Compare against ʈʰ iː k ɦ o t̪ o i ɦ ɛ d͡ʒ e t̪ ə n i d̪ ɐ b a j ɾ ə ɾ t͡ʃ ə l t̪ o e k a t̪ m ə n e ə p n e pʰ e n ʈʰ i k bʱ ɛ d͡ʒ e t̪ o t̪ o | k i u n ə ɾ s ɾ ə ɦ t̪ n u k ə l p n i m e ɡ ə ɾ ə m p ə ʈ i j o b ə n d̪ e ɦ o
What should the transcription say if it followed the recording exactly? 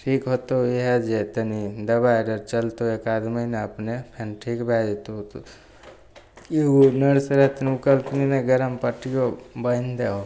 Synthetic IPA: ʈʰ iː k ɦ o t̪ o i ɦ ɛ d͡ʒ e t̪ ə n i d̪ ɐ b a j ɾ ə ɾ t͡ʃ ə l t̪ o e k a d̪ m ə n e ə p n e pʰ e n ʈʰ i k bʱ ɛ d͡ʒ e t̪ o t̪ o | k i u n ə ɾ s ɾ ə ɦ t̪ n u k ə l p n i n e ɡ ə ɾ ə m p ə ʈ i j o b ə n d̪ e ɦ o